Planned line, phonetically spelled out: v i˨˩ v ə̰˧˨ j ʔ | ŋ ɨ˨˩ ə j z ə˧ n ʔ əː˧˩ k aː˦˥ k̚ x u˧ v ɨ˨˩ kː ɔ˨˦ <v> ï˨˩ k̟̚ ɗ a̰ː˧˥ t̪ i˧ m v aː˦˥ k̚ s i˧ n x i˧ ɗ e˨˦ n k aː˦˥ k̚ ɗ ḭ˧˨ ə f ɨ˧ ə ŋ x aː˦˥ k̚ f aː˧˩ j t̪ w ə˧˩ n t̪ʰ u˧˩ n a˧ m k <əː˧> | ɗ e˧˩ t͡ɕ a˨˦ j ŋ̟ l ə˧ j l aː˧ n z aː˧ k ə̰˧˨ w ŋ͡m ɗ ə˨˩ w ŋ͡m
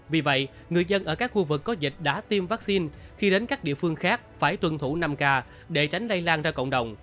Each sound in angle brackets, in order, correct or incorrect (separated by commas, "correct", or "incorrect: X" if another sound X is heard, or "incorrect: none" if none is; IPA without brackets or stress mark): incorrect: z, incorrect: aː˧